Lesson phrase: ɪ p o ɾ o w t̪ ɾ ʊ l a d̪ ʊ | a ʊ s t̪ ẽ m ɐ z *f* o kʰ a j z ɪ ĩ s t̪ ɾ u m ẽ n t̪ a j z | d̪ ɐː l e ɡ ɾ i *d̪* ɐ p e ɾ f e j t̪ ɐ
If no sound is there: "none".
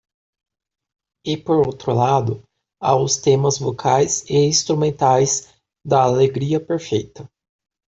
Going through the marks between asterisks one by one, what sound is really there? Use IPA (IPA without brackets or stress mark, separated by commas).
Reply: v, none